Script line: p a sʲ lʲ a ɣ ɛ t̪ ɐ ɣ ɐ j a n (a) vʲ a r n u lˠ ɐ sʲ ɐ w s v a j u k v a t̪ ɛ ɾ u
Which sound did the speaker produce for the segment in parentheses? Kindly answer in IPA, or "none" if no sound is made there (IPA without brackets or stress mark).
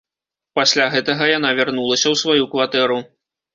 a